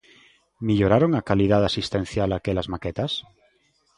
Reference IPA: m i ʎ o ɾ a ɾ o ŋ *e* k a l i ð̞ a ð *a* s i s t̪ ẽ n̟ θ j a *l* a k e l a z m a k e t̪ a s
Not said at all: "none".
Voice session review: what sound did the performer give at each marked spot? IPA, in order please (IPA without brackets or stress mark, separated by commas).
a, a, l